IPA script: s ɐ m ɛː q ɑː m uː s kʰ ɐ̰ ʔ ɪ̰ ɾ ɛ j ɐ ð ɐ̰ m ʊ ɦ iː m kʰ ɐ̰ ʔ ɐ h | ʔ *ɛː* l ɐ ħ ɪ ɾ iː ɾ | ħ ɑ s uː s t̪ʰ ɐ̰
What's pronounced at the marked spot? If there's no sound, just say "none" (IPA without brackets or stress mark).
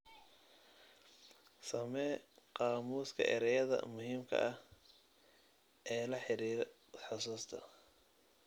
ɛː